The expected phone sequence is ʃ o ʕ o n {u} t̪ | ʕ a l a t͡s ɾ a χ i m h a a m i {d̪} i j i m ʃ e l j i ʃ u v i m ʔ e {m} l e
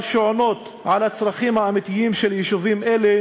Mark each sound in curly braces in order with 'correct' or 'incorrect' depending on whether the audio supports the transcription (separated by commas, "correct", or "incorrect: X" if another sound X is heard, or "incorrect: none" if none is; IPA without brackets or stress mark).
incorrect: o, incorrect: t̪, incorrect: none